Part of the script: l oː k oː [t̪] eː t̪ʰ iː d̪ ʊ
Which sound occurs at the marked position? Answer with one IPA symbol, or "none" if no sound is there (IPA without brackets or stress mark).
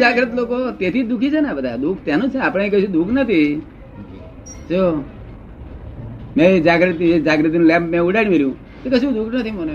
t̪